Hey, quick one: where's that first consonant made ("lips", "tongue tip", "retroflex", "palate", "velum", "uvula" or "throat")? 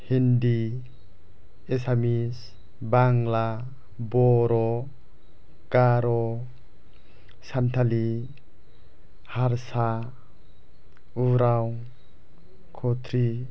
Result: throat